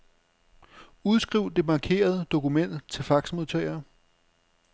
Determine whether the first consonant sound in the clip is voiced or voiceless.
voiced